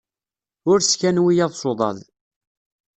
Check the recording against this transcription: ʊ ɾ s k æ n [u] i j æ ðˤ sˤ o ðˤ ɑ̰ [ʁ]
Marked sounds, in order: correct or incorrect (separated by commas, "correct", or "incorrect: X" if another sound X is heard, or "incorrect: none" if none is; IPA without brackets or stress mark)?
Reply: incorrect: w, incorrect: ð